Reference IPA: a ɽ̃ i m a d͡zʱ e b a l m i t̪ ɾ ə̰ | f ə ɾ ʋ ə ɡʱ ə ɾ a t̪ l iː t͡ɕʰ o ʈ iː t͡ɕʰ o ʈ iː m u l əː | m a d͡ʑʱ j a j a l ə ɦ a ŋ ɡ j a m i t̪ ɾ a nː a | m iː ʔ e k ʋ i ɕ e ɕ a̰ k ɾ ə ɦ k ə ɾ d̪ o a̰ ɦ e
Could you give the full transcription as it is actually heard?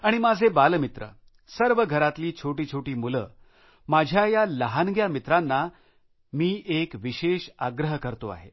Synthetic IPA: a ɽ̃ i m a d͡zʱ e b a l m i t̪ ɾ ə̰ | s ə ɾ ʋ ə ɡʱ ə ɾ a t̪ l iː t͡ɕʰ o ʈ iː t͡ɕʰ o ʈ iː m u l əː | m a d͡ʑʱ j a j a l ə ɦ a n ɡ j a m i t̪ ɾ a nː a | m iː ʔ e k ʋ i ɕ e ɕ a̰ ɡ ɾ ə ɦ k ə ɾ t̪ o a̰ ɦ e

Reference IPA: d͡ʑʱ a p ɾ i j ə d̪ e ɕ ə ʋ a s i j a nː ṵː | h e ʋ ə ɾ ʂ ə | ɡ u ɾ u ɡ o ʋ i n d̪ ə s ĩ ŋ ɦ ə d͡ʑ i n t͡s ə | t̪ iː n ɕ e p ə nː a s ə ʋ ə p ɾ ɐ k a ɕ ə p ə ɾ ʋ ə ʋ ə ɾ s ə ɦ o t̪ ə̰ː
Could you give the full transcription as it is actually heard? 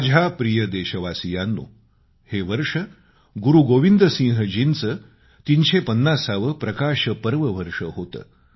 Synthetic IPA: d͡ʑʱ a p ɾ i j ə d̪ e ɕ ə ʋ a s i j a nː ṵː | h e ʋ ə ɾ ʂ ə | ɡ u ɾ u ɡ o ʋ i n d̪ ə s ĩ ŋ ɦ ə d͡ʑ i n t͡s ə | t̪ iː n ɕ e p ə nː a s a ʋ ə p ɾ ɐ k a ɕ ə p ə ɾ ʋ ə ʋ ə ɾ ʂ ə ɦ o t̪ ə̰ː

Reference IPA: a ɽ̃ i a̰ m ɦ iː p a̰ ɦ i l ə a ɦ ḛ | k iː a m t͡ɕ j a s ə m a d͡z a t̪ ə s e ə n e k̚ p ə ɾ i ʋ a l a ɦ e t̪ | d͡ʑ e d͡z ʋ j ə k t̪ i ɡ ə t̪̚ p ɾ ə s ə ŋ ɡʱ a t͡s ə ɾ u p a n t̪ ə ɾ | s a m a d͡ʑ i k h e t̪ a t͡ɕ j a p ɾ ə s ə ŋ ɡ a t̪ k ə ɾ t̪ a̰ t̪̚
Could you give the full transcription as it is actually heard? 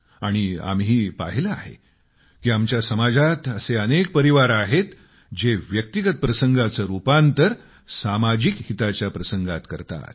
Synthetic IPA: a ɽ̃ i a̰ m ɦ iː p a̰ ɦ i l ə a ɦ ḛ | k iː a m t͡ɕ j a s ə m a d͡z a t̪ ə s e ə n e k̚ p ə ɾ i ʋ a ɾ a ɦ e t̪ | d͡ʑ e ʋ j ə k t̪ i ɡ ə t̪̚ p ɾ ə s ə ŋ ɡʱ a t͡s ə ɾ u p a n t̪ ə ɾ | s a m a d͡ʑ i k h i t̪ a t͡ɕ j a p ɾ ə s ə ŋ ɡ a t̪ k ə ɾ t̪ a̰ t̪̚

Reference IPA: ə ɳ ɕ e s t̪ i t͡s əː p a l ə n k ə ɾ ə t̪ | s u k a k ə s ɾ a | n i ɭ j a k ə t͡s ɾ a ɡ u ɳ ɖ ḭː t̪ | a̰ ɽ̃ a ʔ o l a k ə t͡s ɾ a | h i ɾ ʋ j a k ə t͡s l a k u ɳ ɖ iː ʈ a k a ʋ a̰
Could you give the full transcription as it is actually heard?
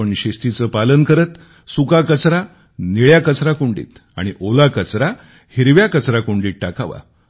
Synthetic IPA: ə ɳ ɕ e s t̪ i t͡s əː p a l ə n k ə ɾ ə t̪ | s u k a k ə t͡s ɾ a | n i ɭ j a k ə t͡s ɾ a k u ɳ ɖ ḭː t̪ | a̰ ɽ̃ i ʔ o l a k ə t͡s ɾ a | h i ɾ ʋ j a k ə t͡s ɾ a k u ɳ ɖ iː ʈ a k a ʋ a̰

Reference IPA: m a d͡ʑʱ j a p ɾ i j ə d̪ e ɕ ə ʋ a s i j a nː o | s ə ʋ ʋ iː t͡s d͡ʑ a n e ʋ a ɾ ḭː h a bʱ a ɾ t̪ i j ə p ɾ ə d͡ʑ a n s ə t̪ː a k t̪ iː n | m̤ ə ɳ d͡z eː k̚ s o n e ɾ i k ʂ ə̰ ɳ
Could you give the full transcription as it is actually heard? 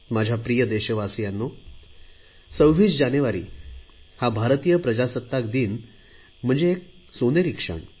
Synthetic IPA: m a d͡ʑʱ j a p ɾ i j ə d̪ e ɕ ə ʋ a s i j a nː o | s ə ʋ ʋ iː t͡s d͡ʑ a n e ʋ a ɾ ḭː h a bʱ a ɾ t̪ i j ə p ɾ ə d͡ʑ a s ə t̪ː a k d̪ iː n | m̤ ə ɳ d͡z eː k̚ s o n e ɾ i k ʂ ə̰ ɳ

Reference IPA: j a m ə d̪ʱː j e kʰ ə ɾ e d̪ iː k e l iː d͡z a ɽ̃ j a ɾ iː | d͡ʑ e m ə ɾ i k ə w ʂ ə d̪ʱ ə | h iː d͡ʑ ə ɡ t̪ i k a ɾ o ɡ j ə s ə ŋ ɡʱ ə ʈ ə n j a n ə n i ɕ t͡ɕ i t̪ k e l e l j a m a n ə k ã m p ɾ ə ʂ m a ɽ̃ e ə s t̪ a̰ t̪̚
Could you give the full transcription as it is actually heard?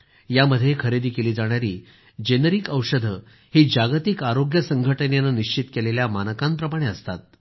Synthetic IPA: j a m ə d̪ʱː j e kʰ ə ɾ e d̪ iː k e l iː d͡z a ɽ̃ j a ɾ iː | d͡ʑ e n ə ɾ i k ə w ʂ ə d̪ʱ ə | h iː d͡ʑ a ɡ t̪ i k a ɾ o ɡ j ə s ə ŋ ɡʱ ə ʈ ə n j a n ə n i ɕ t͡ɕ i t̪ k e l e l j a m a n ə k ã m p ɾ ə m a ɽ̃ e ə s t̪ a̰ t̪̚

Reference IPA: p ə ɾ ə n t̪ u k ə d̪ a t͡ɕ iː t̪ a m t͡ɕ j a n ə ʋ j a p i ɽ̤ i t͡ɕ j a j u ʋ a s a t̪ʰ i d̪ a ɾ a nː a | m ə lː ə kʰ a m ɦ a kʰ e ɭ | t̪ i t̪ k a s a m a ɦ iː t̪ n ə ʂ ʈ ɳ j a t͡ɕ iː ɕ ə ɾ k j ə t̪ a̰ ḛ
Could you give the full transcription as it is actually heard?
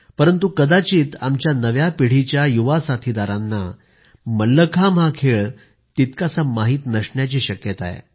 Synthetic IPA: p ə ɾ ə n t̪ u k ə d̪ a t͡ɕ iː t̪ a m t͡ɕ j a n ə ʋ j a p i ɽ̤ i t͡ɕ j a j u ʋ a s a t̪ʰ i d̪ a ɾ a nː a | m ə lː ə kʰ a m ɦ a kʰ e ɭ | t̪ i t̪ k a s a m a ɦ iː t̪ n ə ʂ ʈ ɳ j a t͡ɕ iː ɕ ə k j ə t̪ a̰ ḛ

